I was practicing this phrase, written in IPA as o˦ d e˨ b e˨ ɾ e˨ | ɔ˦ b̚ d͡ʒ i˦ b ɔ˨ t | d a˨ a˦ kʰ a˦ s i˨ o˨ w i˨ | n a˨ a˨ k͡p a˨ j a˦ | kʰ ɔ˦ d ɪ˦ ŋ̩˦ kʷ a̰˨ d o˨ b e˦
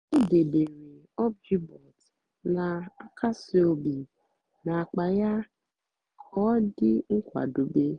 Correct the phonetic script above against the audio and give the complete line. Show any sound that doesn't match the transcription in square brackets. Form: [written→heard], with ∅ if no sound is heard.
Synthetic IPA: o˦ d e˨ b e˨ ɾ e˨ | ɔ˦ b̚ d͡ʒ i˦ b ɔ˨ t | [d→n] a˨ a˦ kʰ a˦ s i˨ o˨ [w→b] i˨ | n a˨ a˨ k͡p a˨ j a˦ | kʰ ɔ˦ d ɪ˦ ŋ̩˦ kʷ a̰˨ d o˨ b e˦